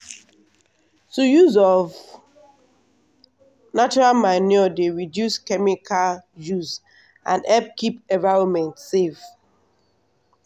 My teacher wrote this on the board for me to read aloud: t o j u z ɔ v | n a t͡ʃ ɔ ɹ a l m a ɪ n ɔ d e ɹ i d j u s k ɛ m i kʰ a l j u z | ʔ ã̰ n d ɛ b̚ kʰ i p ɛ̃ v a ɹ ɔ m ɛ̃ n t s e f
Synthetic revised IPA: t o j u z ɔ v | n a t͡ʃ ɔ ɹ a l m a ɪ n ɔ d e ɹ i d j u s k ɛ m i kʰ a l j u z | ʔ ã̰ n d ɛ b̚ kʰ i p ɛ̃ v a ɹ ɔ m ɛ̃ n t s e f